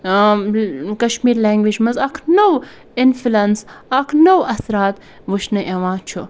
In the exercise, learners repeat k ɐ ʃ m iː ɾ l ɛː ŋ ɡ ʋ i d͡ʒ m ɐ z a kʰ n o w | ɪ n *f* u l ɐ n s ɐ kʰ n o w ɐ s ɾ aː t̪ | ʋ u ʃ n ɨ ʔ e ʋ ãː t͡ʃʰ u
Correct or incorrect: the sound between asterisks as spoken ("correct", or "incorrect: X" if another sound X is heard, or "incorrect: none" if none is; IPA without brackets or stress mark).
correct